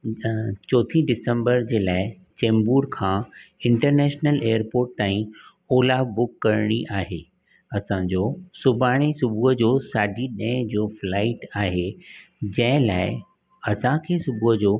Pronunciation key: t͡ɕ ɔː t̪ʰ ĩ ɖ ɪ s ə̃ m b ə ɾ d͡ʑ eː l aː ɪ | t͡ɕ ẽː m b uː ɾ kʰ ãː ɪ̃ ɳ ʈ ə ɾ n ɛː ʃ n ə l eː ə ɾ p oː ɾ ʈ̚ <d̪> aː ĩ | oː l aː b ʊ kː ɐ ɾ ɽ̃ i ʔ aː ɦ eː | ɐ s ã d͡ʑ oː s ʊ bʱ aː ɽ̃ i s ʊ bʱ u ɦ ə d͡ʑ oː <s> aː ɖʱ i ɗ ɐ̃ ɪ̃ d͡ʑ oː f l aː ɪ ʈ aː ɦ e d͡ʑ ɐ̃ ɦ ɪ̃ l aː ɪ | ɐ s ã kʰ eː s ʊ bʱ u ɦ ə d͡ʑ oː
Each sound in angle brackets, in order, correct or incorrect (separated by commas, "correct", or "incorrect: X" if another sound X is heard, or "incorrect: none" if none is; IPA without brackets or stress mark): incorrect: t̪, correct